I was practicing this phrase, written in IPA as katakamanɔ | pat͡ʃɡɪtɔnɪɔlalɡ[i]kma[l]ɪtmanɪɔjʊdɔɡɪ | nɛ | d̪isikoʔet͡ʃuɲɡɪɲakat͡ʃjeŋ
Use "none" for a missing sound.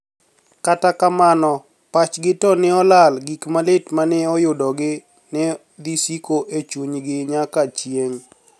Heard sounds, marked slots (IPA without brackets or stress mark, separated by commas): i, l